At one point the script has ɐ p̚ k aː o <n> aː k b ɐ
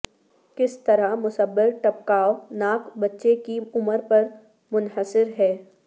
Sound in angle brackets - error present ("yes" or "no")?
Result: no